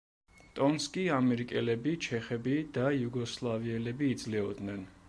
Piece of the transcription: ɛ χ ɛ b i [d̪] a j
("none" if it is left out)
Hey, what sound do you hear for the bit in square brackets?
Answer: d̪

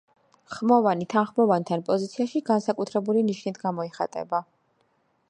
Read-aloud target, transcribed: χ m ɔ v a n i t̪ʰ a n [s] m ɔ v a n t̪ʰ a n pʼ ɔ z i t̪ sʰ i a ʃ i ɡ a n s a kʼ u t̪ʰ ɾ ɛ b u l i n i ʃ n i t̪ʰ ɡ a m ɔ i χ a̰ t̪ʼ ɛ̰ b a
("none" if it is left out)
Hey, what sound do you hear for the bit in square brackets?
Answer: χ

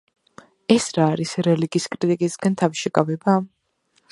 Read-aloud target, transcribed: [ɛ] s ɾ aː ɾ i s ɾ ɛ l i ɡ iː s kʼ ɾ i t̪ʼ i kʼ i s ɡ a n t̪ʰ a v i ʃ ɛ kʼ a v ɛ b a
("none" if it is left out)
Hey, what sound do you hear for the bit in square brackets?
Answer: ɛ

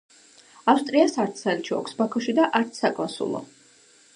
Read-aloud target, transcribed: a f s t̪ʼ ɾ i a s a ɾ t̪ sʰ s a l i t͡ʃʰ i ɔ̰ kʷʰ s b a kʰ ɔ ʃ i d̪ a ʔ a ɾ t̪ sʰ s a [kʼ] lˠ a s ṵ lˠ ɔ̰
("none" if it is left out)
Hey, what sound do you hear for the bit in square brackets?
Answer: kʼ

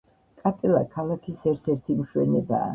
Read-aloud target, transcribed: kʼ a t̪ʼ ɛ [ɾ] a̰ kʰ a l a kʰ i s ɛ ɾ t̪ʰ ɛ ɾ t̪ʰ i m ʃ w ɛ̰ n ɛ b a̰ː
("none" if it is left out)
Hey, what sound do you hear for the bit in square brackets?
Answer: l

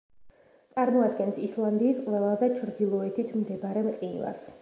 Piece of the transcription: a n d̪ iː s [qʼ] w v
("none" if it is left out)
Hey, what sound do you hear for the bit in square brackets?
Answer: qʼ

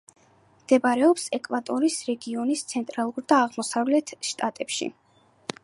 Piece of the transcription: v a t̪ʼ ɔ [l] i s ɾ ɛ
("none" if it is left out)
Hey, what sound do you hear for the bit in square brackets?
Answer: ɾ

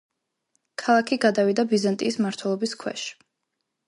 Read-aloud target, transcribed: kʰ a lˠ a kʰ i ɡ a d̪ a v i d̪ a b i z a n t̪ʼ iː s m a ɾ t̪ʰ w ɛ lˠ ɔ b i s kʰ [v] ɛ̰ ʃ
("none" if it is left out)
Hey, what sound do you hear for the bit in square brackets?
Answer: w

